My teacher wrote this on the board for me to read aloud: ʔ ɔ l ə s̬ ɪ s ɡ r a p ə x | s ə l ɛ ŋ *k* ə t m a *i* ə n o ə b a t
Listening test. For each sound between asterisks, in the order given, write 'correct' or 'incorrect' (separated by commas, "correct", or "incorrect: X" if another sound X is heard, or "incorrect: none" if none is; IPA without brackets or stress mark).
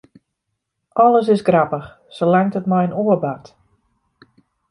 incorrect: t, incorrect: j